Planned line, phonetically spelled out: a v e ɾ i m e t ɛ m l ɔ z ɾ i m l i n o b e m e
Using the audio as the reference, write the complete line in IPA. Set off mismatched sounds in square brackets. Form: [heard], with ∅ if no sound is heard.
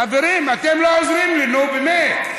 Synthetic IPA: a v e ɾ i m [a] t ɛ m l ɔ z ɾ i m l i n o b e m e